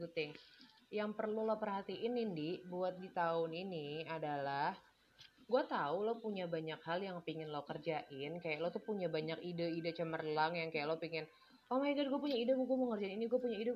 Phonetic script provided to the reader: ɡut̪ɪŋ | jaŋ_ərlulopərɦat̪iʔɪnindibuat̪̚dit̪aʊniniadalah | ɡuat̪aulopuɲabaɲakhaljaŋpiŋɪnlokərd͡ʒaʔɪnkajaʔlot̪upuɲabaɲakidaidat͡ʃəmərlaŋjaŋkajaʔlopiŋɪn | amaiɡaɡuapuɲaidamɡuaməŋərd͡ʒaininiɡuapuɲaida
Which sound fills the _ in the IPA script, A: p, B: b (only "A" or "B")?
A